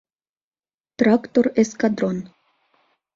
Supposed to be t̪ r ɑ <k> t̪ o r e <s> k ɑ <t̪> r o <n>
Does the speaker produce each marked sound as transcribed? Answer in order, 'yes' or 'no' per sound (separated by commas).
yes, yes, no, yes